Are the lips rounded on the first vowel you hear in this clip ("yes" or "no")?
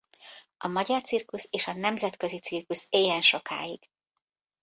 yes